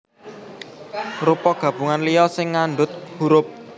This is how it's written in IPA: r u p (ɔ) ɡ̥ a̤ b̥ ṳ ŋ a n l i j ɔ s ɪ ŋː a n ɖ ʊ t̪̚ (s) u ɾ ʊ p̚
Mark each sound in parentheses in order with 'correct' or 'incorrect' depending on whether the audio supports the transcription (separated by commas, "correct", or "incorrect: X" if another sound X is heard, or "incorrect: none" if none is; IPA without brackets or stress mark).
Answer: correct, incorrect: h